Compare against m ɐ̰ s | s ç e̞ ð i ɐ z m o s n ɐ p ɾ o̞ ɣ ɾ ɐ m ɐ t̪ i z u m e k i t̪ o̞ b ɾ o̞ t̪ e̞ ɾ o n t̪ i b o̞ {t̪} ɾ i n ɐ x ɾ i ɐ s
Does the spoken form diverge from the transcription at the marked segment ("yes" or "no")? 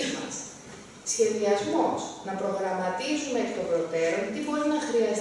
yes